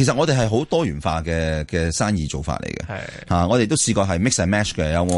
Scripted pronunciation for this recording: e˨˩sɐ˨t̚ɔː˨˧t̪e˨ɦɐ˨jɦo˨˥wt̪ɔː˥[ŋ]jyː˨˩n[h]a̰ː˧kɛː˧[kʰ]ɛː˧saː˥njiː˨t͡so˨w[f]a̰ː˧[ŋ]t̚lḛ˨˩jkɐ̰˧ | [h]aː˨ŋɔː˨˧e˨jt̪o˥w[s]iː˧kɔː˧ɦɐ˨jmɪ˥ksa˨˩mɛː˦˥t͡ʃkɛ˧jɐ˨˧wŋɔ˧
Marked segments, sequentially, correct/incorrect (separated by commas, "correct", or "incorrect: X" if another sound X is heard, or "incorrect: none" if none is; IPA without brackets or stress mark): incorrect: none, incorrect: f, incorrect: k, correct, incorrect: none, correct, correct